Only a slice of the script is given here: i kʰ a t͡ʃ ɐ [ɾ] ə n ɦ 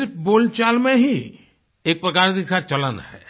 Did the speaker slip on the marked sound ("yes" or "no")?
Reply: yes